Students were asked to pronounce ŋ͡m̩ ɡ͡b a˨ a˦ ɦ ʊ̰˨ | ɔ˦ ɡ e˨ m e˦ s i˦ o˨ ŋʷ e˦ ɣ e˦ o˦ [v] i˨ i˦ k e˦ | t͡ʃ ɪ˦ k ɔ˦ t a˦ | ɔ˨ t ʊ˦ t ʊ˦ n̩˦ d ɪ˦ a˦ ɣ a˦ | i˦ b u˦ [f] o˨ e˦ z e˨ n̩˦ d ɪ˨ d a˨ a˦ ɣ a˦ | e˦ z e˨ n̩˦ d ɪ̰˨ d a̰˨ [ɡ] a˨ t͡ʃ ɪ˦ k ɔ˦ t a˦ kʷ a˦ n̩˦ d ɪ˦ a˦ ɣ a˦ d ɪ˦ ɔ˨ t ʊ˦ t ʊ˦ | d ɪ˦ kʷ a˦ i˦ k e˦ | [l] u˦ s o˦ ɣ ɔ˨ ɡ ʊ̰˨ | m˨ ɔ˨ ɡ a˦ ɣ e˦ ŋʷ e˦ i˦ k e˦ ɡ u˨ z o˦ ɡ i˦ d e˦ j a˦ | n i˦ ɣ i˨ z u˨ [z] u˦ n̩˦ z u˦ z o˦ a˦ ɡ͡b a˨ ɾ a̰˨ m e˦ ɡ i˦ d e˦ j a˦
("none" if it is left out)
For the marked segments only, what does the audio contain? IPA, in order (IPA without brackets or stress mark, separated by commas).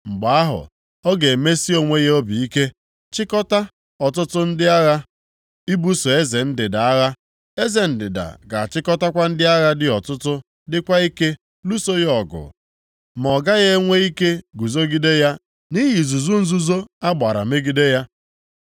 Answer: b, s, ɡ, l, z